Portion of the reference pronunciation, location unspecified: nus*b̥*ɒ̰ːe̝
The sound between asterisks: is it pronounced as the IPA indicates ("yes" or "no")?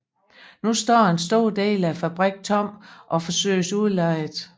no